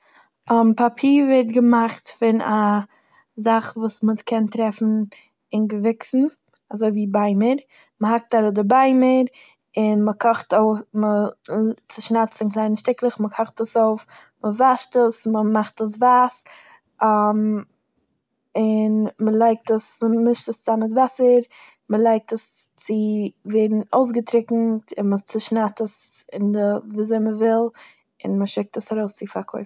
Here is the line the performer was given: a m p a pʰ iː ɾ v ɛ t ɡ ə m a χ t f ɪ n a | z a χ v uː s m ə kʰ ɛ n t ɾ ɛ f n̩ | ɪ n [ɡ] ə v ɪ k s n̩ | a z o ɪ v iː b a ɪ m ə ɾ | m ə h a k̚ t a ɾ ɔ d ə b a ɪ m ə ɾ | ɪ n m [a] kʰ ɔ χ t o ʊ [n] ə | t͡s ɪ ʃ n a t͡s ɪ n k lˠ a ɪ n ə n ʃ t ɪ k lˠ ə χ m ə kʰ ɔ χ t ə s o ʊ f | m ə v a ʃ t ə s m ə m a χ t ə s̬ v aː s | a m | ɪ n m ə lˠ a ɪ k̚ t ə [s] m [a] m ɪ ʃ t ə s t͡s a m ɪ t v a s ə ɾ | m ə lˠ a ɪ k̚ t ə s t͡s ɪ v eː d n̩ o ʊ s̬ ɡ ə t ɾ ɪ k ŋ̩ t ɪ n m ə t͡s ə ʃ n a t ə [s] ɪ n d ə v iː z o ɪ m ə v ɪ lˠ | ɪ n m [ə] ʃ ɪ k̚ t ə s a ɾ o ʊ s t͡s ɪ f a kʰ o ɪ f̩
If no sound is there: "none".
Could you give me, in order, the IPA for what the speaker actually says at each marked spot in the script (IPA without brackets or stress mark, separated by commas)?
ɡ, ə, m, s, ə, s, ə